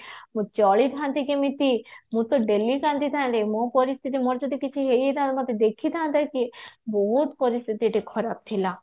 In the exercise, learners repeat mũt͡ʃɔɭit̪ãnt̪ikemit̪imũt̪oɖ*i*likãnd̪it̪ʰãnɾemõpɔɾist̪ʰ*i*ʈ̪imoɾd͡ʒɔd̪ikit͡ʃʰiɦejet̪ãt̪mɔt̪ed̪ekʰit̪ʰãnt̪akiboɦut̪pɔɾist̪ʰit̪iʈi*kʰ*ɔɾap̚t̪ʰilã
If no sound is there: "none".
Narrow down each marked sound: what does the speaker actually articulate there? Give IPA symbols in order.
e, i, kʰ

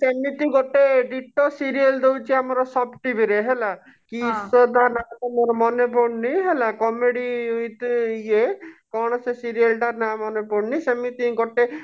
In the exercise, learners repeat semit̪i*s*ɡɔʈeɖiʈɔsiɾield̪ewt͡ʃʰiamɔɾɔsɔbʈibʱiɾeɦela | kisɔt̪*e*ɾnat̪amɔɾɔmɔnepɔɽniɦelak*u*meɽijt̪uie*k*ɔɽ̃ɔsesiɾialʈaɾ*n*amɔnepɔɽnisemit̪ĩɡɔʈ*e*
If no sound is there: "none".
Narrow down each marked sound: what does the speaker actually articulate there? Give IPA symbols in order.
none, a, ɔ, k, n, e

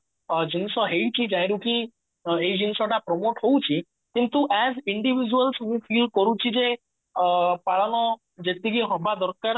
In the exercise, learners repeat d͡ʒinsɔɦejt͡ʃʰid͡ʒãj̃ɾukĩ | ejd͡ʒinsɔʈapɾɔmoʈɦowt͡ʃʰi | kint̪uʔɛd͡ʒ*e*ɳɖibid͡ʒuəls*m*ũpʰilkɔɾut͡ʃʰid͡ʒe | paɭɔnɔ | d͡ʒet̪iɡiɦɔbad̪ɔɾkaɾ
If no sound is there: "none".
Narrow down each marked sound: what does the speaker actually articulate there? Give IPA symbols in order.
i, m

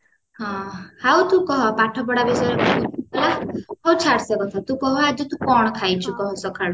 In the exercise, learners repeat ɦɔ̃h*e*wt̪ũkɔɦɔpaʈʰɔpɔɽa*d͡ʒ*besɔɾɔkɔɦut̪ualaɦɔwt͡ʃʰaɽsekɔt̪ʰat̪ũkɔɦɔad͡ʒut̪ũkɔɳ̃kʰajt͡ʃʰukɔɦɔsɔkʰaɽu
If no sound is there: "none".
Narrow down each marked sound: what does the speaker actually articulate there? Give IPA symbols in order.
a, none

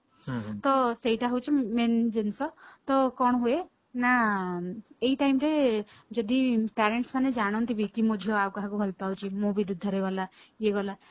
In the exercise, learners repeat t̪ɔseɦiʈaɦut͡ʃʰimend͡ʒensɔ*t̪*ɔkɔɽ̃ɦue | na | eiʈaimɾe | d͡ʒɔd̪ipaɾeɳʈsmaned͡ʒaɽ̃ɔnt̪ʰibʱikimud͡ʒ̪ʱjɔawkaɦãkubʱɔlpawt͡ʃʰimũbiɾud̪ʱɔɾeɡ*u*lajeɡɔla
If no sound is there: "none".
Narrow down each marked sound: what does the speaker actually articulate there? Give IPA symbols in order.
t̪, ɔ

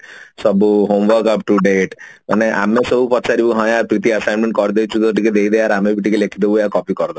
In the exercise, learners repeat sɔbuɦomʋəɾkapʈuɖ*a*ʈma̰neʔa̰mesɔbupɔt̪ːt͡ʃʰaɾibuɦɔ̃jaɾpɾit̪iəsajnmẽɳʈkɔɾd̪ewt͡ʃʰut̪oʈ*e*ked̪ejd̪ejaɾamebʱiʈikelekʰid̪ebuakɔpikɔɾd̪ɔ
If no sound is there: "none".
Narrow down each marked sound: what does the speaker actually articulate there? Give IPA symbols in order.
e, i

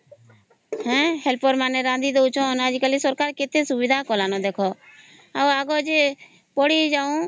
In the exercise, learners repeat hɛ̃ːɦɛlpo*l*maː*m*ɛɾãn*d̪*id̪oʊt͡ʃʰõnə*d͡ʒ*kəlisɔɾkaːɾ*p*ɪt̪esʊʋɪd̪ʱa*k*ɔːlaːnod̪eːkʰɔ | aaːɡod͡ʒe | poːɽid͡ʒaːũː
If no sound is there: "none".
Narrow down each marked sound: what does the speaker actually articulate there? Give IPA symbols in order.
ɾ, n, d̪, d͡ʒ, k, k

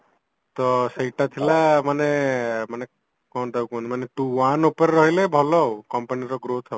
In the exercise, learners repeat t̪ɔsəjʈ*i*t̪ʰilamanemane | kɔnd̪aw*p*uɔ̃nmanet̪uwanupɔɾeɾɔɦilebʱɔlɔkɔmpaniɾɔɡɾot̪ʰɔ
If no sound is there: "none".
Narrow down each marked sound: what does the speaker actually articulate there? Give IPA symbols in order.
a, k

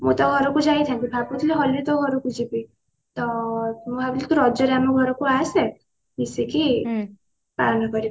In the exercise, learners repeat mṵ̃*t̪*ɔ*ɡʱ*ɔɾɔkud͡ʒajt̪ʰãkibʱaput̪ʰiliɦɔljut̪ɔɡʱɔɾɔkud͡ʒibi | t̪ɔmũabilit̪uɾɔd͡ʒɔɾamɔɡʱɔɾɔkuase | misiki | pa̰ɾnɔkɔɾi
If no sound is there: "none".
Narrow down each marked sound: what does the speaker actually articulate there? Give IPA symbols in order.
t̪, ɡʱ

